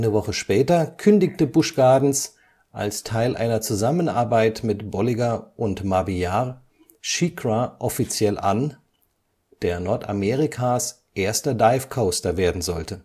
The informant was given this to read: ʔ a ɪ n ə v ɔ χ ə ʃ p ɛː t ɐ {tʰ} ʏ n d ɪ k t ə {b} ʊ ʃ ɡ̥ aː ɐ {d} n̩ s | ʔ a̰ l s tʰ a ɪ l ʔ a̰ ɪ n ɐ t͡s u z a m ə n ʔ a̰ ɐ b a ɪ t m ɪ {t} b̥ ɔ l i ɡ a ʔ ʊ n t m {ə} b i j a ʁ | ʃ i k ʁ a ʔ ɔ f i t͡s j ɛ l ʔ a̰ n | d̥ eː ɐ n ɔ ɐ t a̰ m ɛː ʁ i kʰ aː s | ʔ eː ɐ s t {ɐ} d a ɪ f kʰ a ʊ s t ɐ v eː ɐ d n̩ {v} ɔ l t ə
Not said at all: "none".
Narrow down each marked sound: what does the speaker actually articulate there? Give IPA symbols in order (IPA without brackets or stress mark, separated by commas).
kʰ, b, d, t, a, ɐ, z